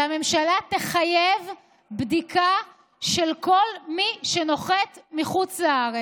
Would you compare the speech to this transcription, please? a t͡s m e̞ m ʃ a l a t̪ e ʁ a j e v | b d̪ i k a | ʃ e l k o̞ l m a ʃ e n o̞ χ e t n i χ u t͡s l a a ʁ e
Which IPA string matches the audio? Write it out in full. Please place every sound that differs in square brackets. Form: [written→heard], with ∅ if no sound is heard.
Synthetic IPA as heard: a [t͡s→∅] m e̞ m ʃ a l a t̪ e [ʁ→χ] a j e v | b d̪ i k a | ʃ e l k o̞ l m [a→i] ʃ e n o̞ χ e t [n→m] i χ u t͡s l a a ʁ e